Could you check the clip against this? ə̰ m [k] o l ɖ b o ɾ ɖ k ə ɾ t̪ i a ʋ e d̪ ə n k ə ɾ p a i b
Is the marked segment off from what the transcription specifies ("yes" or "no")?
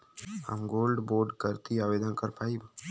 yes